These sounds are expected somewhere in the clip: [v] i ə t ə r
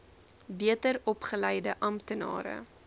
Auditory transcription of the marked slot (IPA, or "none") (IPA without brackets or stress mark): b